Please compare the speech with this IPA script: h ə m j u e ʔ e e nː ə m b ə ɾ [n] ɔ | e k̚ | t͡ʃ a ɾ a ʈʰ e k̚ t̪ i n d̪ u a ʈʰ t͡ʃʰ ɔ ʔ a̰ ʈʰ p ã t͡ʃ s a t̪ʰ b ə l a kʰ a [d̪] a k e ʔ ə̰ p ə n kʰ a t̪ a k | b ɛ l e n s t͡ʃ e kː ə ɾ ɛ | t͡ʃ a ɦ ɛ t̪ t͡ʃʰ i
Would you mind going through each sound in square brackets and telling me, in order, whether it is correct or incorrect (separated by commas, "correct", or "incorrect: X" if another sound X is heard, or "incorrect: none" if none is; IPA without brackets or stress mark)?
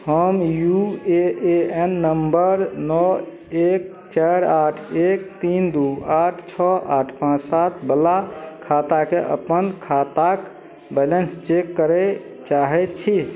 correct, incorrect: t̪